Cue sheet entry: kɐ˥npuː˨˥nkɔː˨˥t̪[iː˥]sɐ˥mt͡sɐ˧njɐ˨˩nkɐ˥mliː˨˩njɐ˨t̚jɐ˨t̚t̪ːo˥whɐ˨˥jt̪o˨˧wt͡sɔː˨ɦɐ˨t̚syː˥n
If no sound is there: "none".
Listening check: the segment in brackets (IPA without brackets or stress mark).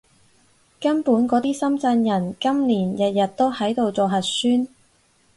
iː˥